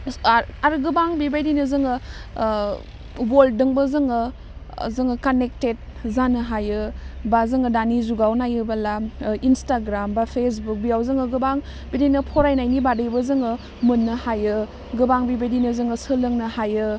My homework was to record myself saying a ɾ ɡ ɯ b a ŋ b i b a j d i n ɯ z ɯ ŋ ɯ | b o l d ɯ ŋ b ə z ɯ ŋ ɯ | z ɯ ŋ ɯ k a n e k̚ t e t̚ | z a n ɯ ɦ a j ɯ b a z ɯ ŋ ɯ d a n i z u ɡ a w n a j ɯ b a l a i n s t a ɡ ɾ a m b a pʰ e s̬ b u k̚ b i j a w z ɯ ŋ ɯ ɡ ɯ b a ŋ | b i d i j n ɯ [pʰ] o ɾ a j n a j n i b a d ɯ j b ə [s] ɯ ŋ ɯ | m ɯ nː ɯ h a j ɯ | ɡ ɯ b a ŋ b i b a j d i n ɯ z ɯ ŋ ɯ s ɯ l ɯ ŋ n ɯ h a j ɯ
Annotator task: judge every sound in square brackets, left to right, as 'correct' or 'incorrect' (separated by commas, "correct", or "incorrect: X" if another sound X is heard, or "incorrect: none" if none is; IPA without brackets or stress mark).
correct, incorrect: z